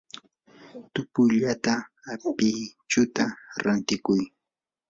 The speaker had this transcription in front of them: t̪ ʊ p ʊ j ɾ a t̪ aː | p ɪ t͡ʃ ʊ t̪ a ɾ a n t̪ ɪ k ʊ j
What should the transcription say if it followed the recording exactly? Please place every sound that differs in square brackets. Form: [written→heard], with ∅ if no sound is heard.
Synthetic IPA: t̪ ʊ p ʊ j [ɾ→ʎ] a t̪ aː | p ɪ t͡ʃ ʊ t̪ a ɾ a n t̪ ɪ k ʊ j

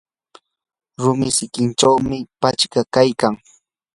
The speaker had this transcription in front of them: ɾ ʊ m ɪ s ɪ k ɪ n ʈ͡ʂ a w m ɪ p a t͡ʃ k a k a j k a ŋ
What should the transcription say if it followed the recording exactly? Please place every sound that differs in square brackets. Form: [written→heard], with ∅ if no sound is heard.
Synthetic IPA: ɾ ʊ m ɪ s ɪ k ɪ n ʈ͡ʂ a w m ɪ p a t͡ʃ k a k a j k a ŋ

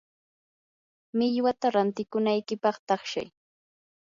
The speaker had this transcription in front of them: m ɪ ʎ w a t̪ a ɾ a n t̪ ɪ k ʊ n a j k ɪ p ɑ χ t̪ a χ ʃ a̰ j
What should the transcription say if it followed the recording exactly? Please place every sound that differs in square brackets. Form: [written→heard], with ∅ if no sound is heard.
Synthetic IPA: m ɪ ʎ w a t̪ a ɾ a n t̪ ɪ k ʊ n a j k ɪ p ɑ χ t̪ [a→ɑ] χ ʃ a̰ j

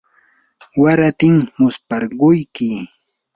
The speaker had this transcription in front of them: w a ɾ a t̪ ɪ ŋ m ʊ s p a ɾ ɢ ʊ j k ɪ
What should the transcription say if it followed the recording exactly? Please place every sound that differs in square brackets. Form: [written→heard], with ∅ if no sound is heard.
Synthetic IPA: w a ɾ a t̪ ɪ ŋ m ʊ s p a ɾ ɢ ʊ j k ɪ

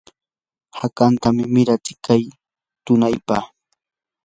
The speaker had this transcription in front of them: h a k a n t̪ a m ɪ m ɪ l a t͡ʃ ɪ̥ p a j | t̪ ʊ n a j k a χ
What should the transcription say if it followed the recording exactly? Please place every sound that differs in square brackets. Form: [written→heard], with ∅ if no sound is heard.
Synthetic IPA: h a k a n t̪ a m ɪ m ɪ [l→ɾ] a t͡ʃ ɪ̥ [p→k] a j | t̪ ʊ n a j [k→p] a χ

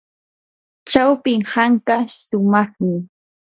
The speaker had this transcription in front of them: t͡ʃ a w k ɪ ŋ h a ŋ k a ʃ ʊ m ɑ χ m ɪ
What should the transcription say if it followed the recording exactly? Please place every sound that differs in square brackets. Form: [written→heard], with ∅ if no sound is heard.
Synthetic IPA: t͡ʃ a w [k→p] ɪ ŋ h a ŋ k a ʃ ʊ m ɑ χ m ɪ

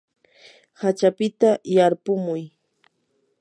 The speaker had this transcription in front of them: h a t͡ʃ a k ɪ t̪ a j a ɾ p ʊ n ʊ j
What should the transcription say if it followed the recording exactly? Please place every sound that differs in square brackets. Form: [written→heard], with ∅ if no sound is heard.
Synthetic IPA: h a t͡ʃ a [k→p] ɪ t̪ a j a ɾ p ʊ [n→m] ʊ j

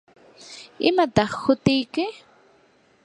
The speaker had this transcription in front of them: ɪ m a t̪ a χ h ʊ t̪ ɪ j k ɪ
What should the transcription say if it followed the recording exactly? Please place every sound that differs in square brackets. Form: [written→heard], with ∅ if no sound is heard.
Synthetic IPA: ɪ m a t̪ [a→ɑ] χ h ʊ t̪ ɪ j k ɪ

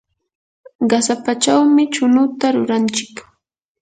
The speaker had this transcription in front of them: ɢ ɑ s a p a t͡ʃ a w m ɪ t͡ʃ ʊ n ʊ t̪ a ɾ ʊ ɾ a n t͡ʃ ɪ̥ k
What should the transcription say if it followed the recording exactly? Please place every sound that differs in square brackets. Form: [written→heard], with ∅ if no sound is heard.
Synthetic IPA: ɢ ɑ s a p a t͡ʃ a w m ɪ t͡ʃ ʊ n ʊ t̪ a ɾ ʊ ɾ a n t͡ʃ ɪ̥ k

